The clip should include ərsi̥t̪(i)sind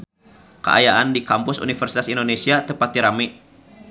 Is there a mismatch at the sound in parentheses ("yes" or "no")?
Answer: yes